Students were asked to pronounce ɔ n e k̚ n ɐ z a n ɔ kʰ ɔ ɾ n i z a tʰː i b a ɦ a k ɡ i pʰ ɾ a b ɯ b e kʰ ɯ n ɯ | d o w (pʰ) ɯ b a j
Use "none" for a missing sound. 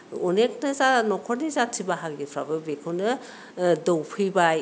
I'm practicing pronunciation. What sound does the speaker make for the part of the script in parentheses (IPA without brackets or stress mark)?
pʰ